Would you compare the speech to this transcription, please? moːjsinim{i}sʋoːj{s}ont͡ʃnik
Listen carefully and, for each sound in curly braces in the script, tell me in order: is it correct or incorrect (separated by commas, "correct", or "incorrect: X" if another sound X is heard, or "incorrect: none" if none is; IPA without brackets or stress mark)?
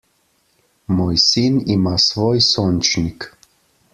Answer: incorrect: a, correct